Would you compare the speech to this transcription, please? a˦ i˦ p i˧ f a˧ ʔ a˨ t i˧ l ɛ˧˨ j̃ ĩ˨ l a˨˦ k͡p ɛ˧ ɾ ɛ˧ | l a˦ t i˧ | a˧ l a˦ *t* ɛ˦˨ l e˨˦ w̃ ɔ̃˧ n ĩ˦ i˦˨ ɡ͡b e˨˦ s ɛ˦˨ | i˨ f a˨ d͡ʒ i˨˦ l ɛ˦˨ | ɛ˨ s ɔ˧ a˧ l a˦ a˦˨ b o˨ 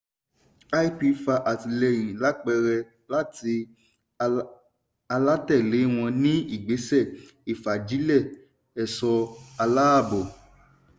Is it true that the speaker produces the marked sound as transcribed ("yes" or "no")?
yes